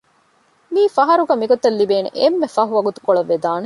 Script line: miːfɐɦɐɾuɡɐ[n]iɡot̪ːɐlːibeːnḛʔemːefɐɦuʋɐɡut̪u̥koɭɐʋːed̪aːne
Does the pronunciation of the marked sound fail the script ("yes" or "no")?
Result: yes